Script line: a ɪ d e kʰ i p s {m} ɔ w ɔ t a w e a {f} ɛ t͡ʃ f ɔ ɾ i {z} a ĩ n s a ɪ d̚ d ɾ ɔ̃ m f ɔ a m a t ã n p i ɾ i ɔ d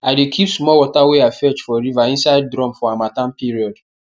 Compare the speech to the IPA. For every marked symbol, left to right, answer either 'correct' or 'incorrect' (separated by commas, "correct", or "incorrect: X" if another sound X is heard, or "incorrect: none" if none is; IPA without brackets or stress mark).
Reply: correct, correct, incorrect: v